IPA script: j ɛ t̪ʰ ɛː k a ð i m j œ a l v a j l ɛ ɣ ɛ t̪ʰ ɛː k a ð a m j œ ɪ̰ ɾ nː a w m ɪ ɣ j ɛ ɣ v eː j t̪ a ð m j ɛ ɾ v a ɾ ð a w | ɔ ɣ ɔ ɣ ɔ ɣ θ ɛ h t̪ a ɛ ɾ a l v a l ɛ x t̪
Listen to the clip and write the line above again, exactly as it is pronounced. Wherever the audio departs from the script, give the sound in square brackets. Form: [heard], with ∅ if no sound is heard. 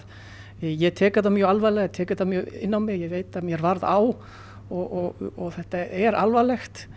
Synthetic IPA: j ɛ t̪ʰ ɛː k a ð [a] m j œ a l v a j l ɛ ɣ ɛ t̪ʰ ɛː k a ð a m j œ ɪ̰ [∅] nː a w m ɪ ɣ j ɛ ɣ v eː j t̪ a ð m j ɛ ɾ v a ɾ ð a w | ɔ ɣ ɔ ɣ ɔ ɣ θ ɛ h t̪ a ɛ ɾ a l v a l ɛ x t̪